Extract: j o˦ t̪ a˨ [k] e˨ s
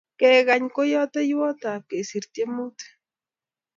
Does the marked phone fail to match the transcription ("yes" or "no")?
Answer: no